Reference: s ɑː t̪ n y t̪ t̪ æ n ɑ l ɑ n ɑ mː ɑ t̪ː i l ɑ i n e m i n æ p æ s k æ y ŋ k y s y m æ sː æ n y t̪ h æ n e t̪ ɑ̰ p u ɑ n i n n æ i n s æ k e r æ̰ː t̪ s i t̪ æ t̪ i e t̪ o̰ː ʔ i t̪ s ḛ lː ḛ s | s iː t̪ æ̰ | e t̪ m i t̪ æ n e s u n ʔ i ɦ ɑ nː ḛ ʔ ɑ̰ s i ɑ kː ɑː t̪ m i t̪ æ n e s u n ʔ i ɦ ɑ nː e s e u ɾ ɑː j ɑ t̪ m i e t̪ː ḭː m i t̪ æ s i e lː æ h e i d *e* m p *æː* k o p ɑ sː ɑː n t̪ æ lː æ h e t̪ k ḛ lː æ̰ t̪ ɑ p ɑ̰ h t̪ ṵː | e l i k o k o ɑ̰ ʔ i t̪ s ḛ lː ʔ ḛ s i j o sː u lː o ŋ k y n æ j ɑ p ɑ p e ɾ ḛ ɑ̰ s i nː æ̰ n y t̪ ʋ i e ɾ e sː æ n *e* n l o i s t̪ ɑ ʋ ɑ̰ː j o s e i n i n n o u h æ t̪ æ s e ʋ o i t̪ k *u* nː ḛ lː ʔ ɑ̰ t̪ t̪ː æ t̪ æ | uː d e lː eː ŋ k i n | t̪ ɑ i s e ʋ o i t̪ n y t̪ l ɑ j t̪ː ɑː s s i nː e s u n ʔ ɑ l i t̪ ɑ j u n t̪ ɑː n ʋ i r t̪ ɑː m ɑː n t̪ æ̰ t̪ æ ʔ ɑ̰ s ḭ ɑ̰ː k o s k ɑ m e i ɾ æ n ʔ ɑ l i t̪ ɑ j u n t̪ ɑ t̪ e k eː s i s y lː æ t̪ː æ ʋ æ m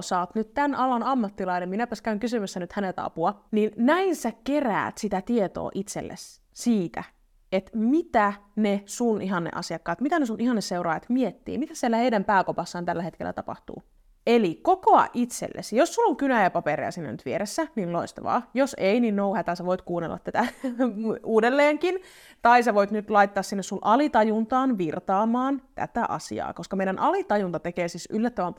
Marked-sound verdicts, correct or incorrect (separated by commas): incorrect, correct, incorrect, incorrect